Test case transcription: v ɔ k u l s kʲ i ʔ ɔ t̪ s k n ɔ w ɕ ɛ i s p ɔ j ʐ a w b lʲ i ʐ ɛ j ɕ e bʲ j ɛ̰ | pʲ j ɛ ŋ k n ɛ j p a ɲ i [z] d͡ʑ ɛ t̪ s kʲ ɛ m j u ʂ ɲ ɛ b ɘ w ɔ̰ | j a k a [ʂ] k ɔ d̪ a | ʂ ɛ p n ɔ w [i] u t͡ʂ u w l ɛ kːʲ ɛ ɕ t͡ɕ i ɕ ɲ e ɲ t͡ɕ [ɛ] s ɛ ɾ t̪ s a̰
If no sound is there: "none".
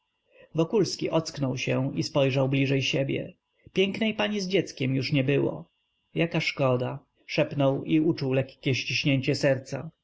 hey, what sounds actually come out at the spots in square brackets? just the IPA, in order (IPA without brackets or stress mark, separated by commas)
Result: z, ʂ, i, ɛ